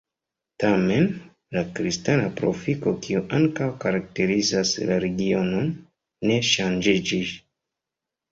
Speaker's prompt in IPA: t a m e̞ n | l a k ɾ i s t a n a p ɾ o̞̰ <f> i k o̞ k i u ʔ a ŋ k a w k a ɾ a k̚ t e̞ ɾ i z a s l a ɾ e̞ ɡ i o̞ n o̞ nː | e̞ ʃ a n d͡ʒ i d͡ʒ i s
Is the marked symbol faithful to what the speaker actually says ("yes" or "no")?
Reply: yes